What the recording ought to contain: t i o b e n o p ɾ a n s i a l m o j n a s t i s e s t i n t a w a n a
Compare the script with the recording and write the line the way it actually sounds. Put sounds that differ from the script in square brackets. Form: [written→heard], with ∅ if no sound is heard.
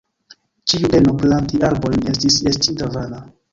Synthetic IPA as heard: [t→t͡ʃ] i [o→u] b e n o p [ɾ→l] a n [s→t] i a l [m→b] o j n [a→e] s t i s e s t i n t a [w→v] a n a